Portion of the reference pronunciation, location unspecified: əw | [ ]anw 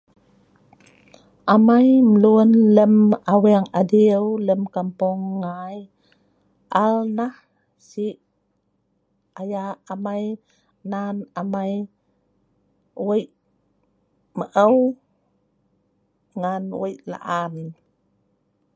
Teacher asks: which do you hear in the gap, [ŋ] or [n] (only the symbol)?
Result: ŋ